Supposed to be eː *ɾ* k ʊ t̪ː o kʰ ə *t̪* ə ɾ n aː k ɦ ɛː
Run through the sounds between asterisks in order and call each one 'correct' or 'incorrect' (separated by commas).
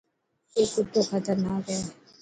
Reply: incorrect, correct